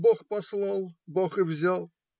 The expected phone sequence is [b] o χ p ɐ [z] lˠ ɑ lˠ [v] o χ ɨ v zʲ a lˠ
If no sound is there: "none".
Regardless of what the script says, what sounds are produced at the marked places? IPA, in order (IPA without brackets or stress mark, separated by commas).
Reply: b, s, b